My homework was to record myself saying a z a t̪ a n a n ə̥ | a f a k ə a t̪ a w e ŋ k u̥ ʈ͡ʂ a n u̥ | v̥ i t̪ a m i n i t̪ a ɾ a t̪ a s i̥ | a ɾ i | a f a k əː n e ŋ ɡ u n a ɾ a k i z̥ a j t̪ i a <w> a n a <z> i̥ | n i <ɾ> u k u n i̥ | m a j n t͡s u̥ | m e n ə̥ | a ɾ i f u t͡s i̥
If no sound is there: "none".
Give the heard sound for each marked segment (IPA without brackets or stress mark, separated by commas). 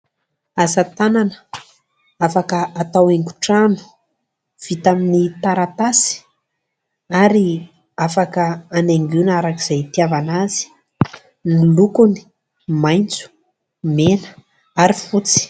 v, z, l